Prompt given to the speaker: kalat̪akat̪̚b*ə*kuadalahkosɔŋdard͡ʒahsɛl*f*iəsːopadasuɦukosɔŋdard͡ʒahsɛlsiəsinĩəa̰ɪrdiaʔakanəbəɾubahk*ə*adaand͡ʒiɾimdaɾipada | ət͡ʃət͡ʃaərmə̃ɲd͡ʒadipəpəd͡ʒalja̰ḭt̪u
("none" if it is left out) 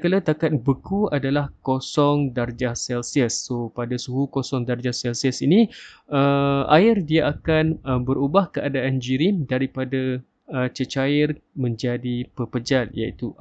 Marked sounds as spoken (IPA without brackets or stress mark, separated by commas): ə, s, ə